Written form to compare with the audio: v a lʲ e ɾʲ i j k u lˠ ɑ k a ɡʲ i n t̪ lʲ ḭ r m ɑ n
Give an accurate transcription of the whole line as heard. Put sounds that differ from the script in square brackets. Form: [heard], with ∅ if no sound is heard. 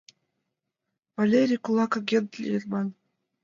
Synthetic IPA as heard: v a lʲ e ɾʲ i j k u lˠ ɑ k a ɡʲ [e] n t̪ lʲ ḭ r m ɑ n